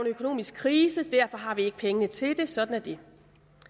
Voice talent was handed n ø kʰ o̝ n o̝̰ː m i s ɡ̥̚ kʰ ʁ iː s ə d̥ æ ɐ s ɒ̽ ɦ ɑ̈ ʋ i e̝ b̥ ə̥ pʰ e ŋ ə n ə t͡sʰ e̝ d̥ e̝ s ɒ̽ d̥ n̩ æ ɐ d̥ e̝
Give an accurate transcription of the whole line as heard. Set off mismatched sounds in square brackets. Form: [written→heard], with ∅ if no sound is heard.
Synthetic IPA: n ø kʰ o̝ n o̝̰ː m i s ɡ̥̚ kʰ ʁ iː s ə d̥ æ ɐ [s→f] ɒ̽ ɦ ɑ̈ ʋ i e̝ [b̥→ɡ̥] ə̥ pʰ e ŋ ə n ə t͡sʰ e̝ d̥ e̝ s ɒ̽ d̥ n̩ æ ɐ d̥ e̝